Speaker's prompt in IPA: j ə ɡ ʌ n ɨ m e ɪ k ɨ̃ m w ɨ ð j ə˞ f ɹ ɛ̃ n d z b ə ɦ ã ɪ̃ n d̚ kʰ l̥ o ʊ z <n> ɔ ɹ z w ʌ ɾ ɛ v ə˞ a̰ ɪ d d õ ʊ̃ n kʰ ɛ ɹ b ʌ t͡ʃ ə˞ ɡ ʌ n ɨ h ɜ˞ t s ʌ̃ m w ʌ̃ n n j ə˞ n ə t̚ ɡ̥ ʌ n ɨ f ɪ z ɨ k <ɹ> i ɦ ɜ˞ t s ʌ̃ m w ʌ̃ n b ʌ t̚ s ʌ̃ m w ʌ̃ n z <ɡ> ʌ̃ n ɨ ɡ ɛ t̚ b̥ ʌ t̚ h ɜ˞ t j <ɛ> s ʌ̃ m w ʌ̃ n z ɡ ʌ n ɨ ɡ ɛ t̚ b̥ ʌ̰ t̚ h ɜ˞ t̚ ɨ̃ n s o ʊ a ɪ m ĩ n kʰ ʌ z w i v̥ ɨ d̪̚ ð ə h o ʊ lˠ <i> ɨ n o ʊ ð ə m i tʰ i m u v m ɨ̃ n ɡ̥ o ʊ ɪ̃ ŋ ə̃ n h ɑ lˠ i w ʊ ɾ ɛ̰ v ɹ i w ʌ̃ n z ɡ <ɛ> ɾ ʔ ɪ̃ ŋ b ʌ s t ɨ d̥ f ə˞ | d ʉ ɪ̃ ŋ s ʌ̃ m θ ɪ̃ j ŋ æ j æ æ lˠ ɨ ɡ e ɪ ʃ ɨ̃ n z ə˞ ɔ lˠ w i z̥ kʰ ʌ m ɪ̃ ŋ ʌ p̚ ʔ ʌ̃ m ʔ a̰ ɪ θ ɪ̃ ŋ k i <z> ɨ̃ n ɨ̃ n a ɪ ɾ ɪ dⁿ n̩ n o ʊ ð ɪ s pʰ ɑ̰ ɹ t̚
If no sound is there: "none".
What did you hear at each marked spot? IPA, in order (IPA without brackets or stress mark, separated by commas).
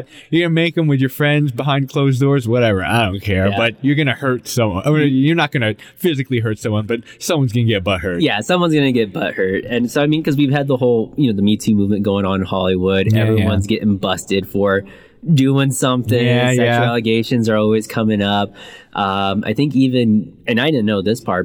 d, l, ɡ, æ, j, ɛ, v